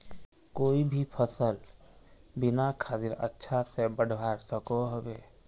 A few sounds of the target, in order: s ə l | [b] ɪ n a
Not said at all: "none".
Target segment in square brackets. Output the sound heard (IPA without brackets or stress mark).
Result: b